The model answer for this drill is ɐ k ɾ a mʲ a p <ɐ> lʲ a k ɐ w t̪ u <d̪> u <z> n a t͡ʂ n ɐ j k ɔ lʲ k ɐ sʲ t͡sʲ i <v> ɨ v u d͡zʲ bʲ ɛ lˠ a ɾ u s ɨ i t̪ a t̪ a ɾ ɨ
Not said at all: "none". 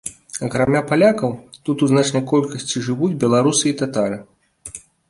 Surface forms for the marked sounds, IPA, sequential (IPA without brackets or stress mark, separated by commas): a, t̪, z, ʐ